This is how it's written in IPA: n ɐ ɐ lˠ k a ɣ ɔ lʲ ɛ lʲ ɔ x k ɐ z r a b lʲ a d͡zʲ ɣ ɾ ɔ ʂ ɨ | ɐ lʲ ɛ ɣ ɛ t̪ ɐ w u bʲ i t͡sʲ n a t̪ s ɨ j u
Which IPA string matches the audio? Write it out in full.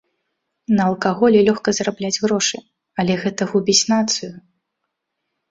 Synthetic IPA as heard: n ɐ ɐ lˠ k a ɣ ɔ lʲ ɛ lʲ ɔ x k ɐ z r a b lʲ a d͡zʲ ɣ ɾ ɔ ʂ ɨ | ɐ lʲ ɛ ɣ ɛ t̪ ɐ ɣ u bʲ i t͡sʲ n a t̪ s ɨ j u